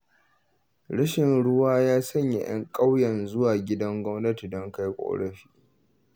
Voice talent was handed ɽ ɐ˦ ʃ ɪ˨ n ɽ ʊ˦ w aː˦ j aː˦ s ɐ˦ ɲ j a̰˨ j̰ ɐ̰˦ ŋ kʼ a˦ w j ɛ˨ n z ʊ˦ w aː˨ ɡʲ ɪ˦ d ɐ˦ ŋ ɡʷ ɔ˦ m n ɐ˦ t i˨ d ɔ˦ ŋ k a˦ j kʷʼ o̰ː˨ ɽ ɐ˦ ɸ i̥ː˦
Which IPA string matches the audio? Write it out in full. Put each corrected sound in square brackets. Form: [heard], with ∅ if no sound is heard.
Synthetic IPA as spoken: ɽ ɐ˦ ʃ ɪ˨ n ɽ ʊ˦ w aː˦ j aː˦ s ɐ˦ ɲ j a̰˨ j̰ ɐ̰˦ ŋ kʼ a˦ w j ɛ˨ n z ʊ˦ w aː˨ ɡʲ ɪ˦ d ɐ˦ ŋ ɡʷ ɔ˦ m n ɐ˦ t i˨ d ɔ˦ ŋ k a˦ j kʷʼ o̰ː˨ ɽ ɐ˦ ɸ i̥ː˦

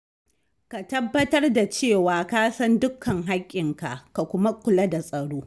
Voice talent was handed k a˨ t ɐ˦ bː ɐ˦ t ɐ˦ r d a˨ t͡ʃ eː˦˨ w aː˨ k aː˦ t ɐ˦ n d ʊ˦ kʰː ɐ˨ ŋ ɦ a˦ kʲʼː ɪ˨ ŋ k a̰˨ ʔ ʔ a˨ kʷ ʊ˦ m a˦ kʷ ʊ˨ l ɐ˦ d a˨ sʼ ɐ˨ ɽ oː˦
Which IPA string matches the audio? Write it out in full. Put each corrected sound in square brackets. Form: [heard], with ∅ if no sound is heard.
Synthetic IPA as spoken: k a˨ t ɐ˦ bː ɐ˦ t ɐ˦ r d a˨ t͡ʃ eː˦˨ w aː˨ k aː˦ [s] ɐ˦ n d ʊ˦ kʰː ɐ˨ ŋ ɦ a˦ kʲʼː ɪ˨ ŋ k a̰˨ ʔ [k] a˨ kʷ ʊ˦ m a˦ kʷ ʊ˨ l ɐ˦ d a˨ sʼ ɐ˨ ɽ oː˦

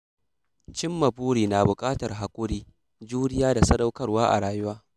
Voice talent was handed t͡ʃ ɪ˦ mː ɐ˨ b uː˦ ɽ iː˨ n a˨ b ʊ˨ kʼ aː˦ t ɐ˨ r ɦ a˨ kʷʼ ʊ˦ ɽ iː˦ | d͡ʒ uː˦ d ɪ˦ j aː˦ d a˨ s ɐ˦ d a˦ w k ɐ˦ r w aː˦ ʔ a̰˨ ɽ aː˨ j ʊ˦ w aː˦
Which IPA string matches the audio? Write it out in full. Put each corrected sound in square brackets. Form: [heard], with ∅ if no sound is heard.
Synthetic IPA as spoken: t͡ʃ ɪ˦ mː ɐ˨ b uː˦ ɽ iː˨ n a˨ b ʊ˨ kʼ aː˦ t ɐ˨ r ɦ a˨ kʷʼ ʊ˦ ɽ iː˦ | d͡ʒ uː˦ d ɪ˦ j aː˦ d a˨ s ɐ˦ d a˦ w k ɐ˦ r w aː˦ ʔ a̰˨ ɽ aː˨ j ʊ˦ w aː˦

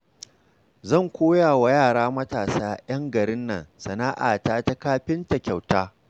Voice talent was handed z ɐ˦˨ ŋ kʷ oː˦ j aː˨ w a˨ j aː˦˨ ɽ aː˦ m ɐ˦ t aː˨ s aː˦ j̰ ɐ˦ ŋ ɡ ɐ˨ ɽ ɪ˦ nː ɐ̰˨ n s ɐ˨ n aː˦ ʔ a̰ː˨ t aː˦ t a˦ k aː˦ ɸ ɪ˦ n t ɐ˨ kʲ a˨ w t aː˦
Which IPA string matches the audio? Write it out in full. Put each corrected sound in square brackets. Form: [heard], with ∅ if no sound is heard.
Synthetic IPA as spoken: z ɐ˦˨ ŋ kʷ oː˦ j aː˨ w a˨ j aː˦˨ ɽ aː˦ m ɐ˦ t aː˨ s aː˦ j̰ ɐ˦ ŋ ɡ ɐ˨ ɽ ɪ˦ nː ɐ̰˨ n s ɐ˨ n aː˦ ʔ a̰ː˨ t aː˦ t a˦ k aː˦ ɸ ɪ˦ n t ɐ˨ kʲ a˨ w t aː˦

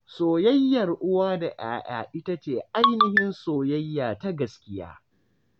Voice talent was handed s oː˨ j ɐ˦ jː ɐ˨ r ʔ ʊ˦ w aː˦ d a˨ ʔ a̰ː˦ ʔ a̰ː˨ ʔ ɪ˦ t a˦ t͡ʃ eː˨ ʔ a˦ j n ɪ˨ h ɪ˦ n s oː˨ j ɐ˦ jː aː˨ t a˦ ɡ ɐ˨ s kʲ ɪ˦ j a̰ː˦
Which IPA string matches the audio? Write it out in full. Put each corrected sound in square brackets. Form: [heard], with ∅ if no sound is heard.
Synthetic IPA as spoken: s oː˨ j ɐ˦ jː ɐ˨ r ʔ ʊ˦ w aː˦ d a˨ ʔ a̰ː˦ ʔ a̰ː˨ ʔ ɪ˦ t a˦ t͡ʃ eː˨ ʔ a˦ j n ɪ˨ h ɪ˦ n s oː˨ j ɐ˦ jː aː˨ t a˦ ɡ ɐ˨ s kʲ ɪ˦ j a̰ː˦

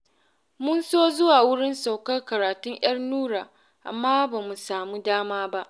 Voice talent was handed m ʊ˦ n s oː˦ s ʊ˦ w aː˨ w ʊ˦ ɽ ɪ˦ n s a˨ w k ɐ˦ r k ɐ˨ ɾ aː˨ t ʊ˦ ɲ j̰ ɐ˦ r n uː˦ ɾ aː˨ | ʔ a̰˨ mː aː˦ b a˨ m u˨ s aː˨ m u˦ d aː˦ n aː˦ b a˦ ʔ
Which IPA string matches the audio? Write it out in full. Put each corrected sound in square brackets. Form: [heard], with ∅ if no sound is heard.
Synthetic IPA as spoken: m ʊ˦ n s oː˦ [z] ʊ˦ w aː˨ w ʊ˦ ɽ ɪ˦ n s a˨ w k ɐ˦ r k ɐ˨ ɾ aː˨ t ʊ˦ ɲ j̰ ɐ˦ r n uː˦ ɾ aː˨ | ʔ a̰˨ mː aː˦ b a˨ m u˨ s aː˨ m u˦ d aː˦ [m] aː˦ b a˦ ʔ

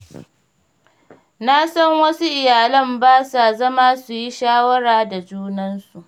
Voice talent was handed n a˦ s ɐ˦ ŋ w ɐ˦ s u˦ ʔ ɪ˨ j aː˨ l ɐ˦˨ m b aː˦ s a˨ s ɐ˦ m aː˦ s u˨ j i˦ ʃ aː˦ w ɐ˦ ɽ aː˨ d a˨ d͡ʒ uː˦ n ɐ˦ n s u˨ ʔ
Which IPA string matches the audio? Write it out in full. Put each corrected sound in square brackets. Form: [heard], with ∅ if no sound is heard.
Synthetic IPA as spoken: n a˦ s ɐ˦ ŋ w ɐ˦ s u˦ ʔ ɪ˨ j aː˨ l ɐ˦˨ m b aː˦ s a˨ [z] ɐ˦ m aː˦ s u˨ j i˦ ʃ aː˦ w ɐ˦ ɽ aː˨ d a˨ d͡ʒ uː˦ n ɐ˦ n s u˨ ʔ

